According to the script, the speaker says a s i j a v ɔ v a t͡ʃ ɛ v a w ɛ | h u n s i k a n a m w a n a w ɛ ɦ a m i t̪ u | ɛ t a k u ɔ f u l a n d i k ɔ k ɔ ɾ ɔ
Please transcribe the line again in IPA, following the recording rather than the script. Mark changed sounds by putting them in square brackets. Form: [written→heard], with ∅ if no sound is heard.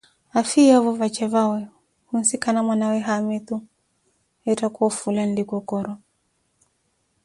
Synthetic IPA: a [s→f] i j a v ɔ v a t͡ʃ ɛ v a w ɛ | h u n s i k a n a m w a n a w ɛ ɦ a m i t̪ u | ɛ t a k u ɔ f u l a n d i k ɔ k ɔ ɾ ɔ